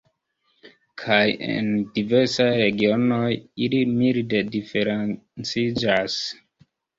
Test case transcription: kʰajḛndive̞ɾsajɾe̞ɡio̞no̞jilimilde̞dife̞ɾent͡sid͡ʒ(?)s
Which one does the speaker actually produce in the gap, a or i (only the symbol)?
a